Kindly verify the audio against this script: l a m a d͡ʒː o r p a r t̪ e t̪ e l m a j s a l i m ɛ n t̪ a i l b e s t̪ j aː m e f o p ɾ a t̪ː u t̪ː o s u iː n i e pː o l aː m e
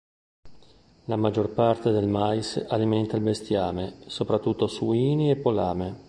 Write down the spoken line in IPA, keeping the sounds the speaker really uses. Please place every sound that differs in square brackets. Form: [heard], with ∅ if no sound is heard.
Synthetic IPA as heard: l a m a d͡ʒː o r p a r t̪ e [d̪] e l m a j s a l i m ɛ n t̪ a i l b e s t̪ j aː m e [s] o p ɾ a t̪ː u t̪ː o s u iː n i e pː o l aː m e